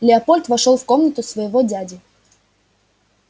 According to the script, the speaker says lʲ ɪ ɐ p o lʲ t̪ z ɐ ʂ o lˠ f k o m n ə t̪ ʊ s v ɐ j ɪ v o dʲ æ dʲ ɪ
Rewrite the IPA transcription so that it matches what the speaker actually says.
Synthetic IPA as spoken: lʲ ɪ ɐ p o lʲ t̪ v ɐ ʂ o lˠ f k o m n ə t̪ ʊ s v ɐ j ɪ v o dʲ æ dʲ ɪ